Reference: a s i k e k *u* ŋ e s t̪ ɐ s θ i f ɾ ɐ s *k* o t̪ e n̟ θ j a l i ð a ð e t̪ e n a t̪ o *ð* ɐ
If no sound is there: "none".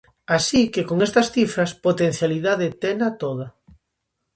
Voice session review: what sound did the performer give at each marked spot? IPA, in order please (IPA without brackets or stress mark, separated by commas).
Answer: o, p, ð